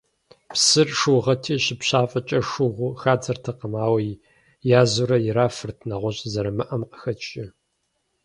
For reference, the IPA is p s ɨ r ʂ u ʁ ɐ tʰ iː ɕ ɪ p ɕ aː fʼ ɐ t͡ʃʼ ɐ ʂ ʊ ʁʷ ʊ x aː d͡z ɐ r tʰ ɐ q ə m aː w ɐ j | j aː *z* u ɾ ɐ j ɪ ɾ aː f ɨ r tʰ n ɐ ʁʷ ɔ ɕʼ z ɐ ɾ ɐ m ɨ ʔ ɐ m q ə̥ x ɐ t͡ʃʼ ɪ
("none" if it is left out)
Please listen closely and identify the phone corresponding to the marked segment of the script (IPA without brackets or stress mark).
z